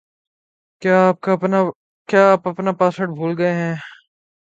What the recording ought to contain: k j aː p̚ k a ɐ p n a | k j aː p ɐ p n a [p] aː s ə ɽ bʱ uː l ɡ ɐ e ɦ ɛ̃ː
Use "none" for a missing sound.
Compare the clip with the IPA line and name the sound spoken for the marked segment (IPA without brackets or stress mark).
p